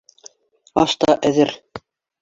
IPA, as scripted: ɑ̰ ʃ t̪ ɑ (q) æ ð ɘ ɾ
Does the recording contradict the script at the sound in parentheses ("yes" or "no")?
yes